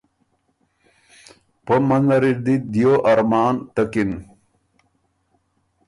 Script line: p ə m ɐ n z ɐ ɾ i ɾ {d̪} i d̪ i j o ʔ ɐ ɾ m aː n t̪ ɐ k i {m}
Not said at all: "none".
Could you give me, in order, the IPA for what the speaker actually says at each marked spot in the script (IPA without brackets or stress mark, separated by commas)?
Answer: d̪, n